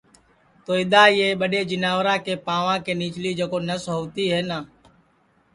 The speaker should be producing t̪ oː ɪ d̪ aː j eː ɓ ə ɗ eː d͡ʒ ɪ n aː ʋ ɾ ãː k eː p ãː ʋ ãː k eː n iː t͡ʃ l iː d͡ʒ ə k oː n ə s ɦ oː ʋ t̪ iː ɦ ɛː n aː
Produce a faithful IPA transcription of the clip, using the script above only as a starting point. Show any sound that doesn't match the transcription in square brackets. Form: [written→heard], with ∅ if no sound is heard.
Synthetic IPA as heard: t̪ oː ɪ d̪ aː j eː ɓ ə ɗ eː d͡ʒ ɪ n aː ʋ ɾ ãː k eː p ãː ʋ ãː k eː n iː t͡ʃ l iː d͡ʒ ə k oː n ə s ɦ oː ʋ t̪ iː ɦ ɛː n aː